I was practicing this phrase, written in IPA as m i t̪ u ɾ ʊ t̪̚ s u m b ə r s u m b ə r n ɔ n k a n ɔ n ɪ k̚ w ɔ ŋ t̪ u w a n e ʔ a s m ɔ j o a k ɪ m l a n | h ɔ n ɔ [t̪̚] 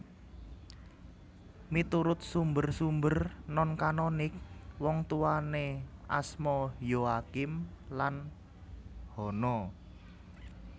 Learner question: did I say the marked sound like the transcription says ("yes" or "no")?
no